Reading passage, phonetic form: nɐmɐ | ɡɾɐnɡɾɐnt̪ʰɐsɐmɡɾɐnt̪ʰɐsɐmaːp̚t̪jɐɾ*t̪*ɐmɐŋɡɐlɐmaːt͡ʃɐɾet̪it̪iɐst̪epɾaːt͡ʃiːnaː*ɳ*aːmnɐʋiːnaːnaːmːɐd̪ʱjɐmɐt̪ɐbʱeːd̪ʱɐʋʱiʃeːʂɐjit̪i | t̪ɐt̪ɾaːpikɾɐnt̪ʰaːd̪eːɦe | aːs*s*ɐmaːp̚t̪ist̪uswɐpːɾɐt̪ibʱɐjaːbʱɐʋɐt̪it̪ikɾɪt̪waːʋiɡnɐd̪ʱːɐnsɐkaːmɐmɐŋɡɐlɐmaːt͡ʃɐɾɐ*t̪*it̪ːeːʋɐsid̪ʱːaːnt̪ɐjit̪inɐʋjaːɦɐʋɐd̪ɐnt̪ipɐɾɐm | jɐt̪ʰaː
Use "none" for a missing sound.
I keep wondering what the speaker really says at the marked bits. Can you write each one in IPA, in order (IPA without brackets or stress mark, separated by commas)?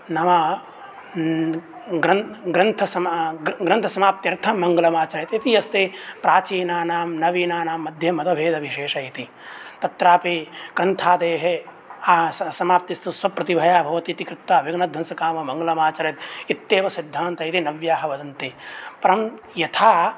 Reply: t̪ʰ, n, s, t̪